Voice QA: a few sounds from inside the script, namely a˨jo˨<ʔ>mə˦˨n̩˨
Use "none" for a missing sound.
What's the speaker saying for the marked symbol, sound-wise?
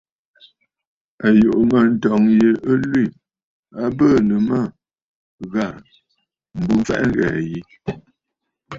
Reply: ʔ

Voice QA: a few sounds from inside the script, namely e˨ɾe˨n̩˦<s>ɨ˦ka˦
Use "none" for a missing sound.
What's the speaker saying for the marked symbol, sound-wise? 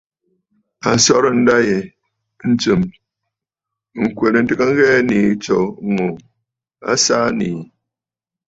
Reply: t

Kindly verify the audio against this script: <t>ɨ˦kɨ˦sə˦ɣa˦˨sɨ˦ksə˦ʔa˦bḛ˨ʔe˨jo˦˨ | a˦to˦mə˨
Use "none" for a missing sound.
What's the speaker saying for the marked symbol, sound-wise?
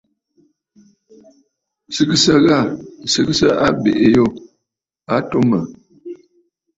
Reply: s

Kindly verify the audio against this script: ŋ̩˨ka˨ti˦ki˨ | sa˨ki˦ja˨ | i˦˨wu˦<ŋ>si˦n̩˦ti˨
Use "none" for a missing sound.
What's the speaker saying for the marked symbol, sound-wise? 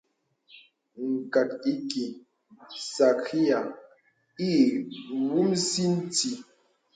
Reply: m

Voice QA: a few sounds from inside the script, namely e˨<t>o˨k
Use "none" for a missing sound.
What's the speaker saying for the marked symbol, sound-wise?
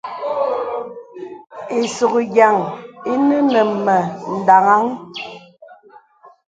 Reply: s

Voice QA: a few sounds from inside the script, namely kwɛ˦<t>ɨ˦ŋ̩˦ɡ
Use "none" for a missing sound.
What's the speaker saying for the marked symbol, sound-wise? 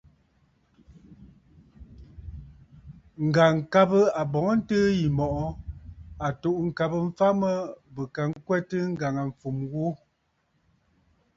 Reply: t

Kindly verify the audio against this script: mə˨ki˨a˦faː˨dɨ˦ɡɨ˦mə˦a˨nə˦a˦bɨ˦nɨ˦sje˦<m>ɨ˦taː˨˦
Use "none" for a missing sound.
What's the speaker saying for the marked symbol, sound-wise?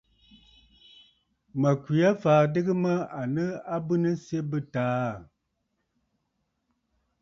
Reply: b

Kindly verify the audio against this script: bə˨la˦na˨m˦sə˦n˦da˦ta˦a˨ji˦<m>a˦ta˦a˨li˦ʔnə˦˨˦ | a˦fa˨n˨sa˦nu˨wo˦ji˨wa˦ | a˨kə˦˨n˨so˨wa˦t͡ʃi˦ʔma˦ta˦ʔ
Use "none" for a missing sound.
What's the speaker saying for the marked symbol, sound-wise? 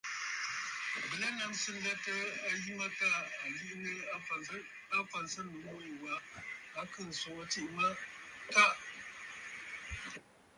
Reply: m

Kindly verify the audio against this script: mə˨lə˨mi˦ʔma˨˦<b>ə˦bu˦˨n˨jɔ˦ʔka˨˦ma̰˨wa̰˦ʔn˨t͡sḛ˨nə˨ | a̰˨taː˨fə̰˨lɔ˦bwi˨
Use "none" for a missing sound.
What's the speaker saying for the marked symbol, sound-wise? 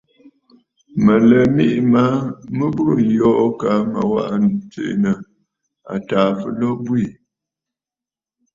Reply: m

